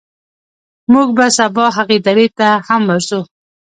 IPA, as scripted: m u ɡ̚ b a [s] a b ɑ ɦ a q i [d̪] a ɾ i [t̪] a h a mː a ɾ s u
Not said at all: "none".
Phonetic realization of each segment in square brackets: s, d̪, t̪

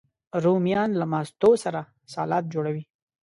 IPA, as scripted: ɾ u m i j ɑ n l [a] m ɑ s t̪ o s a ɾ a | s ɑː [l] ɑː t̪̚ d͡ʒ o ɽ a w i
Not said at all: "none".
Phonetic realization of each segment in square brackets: a, l

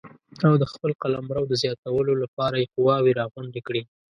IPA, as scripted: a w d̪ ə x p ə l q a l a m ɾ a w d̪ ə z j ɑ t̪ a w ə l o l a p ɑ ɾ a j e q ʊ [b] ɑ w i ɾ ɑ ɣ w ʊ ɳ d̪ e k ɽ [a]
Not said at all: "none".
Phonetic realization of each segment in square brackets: w, i

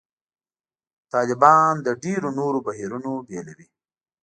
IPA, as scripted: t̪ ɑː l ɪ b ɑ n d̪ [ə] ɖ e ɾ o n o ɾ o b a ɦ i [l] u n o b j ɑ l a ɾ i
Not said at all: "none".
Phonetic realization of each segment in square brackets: ə, ɾ

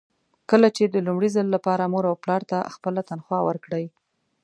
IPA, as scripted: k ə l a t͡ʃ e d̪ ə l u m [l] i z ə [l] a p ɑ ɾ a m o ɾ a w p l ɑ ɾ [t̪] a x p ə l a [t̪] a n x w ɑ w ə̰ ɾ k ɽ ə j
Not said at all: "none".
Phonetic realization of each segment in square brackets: ɽ, lː, t̪, t̪

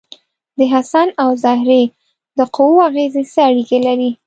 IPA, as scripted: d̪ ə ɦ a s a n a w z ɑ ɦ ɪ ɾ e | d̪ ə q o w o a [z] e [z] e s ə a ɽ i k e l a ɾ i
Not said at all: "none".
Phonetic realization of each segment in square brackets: ɣ, z

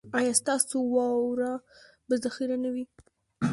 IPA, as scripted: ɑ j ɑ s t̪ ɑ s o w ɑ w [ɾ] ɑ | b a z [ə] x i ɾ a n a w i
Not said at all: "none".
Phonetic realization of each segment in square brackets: ɾ, a

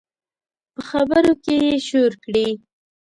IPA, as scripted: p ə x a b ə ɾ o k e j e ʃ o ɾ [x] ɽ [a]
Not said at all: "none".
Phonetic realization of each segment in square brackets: k, i

